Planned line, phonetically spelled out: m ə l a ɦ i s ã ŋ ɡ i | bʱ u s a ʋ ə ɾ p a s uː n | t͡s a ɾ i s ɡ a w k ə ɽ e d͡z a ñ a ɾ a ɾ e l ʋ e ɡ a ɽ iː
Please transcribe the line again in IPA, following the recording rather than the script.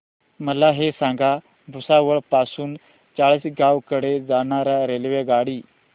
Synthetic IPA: m ə l a ɦ e s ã ŋ ɡ a | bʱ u s a ʋ ə ɭ p a s uː n | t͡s a ɭ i s ɡ a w k ə ɽ e d͡z a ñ a ɾ a ɾ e l ʋ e ɡ a ɽ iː